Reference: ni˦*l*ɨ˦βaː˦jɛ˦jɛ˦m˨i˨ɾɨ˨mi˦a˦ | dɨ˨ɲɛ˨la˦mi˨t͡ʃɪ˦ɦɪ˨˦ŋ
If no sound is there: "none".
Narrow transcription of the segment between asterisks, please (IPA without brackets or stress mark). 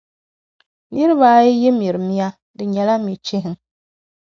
ɾ